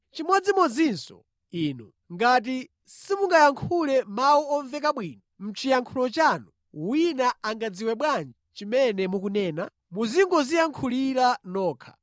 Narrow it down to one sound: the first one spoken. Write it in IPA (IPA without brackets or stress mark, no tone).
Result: t͡ʃ